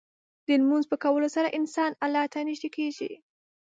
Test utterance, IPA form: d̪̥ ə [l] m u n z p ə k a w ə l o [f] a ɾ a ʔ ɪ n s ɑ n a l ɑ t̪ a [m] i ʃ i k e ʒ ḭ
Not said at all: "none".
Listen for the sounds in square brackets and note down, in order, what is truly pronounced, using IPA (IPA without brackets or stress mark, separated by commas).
l, s, n